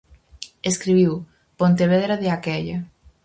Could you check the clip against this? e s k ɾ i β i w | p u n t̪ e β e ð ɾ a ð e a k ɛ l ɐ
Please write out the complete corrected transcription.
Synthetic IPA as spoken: e s k ɾ i β i w | p o n t̪ e β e ð ɾ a ð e a k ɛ ʎ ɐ